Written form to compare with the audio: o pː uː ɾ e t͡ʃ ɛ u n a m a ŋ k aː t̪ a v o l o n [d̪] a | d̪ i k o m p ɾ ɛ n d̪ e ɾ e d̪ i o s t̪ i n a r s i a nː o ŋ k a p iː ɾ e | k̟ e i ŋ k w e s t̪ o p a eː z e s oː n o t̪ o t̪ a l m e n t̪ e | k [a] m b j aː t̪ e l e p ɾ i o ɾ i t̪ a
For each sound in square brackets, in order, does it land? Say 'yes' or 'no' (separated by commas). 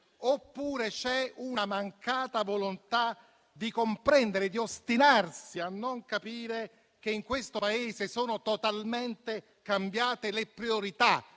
no, yes